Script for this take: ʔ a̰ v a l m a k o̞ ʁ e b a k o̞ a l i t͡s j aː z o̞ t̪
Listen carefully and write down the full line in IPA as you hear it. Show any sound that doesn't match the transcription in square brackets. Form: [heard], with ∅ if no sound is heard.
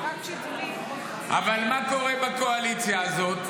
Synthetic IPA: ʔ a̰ v a l m a k o̞ ʁ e b a k o̞ a l i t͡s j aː z o̞ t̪